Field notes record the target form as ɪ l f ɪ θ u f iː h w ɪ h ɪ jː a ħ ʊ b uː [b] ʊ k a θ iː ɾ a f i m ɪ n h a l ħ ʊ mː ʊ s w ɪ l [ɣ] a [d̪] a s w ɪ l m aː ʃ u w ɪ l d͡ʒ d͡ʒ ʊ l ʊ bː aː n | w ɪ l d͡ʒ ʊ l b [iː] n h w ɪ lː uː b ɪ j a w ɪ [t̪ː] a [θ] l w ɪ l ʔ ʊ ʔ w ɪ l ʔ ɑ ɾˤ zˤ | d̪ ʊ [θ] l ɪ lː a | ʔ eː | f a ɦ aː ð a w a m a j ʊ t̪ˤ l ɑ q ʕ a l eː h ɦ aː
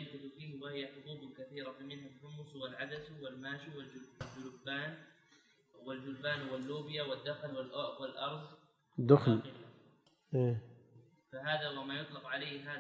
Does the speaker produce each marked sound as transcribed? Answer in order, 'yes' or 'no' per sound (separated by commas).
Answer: yes, no, yes, no, no, no, no